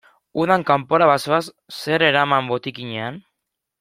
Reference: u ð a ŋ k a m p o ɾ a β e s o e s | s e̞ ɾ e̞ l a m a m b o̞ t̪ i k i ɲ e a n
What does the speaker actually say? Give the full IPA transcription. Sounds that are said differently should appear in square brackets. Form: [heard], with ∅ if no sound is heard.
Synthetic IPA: u ð a ŋ k a m p o ɾ a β [a] s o [a] s | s e̞ ɾ e̞ [ɾ] a m a m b o̞ t̪ i k i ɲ e a n